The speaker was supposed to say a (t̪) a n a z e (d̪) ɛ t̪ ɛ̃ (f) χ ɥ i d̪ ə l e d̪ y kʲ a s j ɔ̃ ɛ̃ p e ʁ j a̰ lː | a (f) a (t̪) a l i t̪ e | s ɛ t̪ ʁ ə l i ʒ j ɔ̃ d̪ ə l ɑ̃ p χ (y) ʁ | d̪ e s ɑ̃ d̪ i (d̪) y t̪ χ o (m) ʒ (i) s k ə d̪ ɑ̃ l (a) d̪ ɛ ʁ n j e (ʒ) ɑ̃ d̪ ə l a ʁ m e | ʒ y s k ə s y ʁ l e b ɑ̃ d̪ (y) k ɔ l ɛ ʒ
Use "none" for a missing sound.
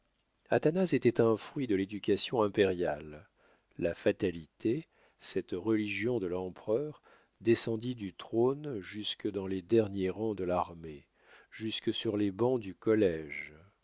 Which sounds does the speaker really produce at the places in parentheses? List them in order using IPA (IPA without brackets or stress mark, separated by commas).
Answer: t̪, t̪, f, f, t̪, œ, d̪, n, y, e, ʁ, y